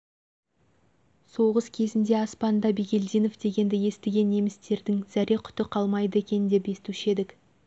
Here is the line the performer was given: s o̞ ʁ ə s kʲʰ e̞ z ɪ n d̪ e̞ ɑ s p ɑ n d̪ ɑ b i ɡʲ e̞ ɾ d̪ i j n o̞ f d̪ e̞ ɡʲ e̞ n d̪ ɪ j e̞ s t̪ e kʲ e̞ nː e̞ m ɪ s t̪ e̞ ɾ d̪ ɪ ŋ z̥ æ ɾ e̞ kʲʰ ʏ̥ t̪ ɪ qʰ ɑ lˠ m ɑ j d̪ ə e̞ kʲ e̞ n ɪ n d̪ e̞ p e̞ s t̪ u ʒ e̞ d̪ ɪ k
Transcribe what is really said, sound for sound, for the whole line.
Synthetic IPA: s o̞ ʁ ə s kʲʰ e̞ z ɪ n d̪ e̞ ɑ s p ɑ n d̪ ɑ b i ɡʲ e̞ l d̪ i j n o̞ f d̪ e̞ ɡʲ e̞ n d̪ ɪ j e̞ s t̪ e ɡʲ e̞ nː e̞ m ɪ s t̪ e̞ ɾ d̪ ɪ ŋ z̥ æ ɾ e̞ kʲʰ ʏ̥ t̪ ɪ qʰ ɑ lˠ m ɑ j d̪ ə e̞ kʲ e̞ n ɪ n d̪ e̞ p e̞ s t̪ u ʃ e̞ d̪ ɪ k